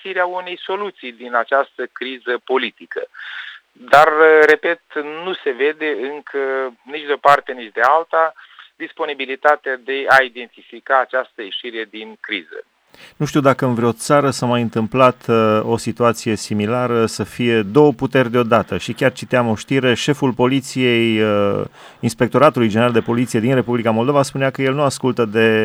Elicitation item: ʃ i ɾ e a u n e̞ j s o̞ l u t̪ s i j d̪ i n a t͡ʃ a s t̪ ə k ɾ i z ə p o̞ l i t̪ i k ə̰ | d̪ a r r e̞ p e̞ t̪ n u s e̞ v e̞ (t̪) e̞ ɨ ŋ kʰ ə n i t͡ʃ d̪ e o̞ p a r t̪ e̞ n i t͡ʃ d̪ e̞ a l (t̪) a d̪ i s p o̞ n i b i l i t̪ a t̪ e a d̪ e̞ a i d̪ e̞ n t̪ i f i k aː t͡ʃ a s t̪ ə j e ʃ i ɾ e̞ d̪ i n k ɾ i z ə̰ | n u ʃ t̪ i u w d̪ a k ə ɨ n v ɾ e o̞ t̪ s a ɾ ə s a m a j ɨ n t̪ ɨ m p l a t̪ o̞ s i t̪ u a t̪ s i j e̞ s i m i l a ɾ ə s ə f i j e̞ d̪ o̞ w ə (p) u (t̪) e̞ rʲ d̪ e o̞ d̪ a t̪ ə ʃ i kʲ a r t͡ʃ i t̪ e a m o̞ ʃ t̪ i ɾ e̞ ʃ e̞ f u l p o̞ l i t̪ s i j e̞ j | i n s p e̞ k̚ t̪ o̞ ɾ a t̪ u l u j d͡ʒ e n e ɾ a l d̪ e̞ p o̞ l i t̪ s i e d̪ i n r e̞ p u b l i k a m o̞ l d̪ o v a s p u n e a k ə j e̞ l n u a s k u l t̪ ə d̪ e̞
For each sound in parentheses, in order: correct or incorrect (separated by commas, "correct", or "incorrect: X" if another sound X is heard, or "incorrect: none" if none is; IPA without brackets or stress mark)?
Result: incorrect: d̪, correct, correct, correct